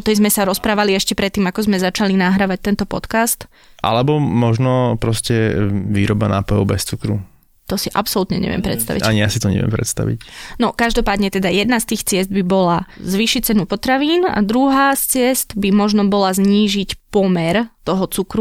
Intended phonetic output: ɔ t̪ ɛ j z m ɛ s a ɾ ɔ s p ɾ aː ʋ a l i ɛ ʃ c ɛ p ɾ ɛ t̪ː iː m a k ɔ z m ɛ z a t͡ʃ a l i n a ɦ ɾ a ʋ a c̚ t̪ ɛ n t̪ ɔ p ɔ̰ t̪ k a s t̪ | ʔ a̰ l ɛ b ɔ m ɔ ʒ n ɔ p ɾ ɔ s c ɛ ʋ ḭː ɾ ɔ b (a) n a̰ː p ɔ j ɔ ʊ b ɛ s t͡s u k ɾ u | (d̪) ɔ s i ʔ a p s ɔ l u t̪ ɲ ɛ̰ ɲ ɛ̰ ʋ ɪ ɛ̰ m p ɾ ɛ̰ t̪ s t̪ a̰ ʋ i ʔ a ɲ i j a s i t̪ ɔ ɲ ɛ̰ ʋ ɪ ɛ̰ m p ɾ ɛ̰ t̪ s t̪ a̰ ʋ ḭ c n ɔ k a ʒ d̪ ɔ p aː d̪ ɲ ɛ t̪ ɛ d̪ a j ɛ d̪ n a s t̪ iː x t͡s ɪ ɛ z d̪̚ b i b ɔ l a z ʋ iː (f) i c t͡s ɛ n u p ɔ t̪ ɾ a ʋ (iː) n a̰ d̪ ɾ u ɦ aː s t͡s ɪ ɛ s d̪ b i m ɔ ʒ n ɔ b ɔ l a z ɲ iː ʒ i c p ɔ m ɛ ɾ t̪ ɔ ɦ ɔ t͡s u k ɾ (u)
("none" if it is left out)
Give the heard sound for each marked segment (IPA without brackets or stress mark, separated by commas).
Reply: a, t̪, ʃ, iː, u